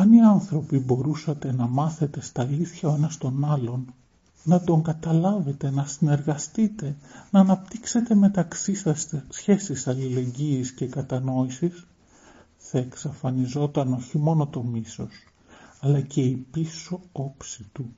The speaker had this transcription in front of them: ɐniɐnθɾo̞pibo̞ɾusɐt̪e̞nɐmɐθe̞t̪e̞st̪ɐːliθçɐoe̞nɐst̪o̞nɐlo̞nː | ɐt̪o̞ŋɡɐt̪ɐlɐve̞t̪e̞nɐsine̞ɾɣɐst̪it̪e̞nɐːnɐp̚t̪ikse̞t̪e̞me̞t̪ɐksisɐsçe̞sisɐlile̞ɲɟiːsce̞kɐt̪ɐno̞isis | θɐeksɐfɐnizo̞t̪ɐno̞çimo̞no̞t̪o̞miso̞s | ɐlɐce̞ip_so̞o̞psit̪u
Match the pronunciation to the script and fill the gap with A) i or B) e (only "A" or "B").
A